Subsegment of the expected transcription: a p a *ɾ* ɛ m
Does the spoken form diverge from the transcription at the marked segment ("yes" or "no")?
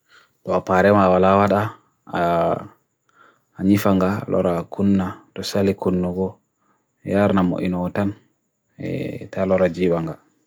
no